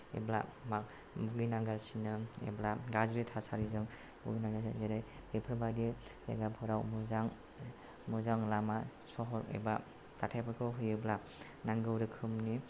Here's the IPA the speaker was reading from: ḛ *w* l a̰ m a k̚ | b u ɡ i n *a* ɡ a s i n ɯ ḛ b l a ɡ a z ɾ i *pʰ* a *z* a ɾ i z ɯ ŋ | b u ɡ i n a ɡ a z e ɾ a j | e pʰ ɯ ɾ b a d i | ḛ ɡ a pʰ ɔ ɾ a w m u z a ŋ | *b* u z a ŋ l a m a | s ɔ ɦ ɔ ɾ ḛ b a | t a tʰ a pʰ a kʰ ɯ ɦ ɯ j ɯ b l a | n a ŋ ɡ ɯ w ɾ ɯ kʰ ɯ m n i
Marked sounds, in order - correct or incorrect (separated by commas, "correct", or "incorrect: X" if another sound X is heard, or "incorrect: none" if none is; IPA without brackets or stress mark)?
incorrect: b, correct, incorrect: tʰ, incorrect: s, incorrect: m